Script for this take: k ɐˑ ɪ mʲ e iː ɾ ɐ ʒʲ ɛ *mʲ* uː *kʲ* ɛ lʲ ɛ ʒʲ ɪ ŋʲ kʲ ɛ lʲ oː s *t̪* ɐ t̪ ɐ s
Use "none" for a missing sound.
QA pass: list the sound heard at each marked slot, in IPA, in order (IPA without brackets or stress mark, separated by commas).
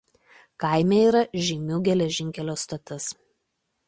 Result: mʲ, ɡʲ, t̪